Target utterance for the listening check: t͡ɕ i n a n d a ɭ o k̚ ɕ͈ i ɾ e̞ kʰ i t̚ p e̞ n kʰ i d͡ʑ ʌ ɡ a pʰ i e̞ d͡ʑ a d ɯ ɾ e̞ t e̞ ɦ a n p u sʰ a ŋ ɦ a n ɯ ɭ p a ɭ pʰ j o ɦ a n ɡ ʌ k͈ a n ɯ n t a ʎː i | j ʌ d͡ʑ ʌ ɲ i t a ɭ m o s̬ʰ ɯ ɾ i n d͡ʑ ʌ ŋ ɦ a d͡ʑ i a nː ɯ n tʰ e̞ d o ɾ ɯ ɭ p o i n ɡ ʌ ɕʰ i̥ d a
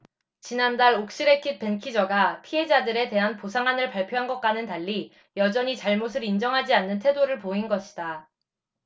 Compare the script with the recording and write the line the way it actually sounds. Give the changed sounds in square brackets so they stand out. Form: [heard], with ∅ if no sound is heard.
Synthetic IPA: t͡ɕ i n a n d a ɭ o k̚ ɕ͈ i ɾ e̞ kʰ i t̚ p e̞ n kʰ i d͡ʑ ʌ ɡ a pʰ i e̞ d͡ʑ a d ɯ ɾ e̞ t e̞ ɦ a n p [o] sʰ a ŋ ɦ a n ɯ ɭ p a ɭ pʰ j o ɦ a n ɡ ʌ k͈ a n ɯ n t a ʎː i | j ʌ d͡ʑ ʌ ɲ i [t͡ɕ] a ɭ m o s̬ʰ ɯ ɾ i n d͡ʑ ʌ ŋ ɦ a d͡ʑ i a nː ɯ n tʰ e̞ d o ɾ ɯ ɭ p o i n ɡ ʌ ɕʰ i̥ d a